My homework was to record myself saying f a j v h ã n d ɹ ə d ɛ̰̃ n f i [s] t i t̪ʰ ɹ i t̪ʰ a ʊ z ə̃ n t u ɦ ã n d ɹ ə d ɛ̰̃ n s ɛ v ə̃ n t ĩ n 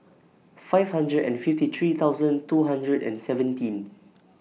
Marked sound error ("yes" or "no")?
yes